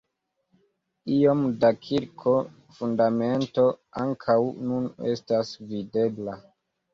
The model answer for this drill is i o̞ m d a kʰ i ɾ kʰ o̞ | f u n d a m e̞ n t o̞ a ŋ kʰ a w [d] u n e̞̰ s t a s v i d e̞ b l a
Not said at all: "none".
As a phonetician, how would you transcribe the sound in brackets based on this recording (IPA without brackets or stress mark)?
n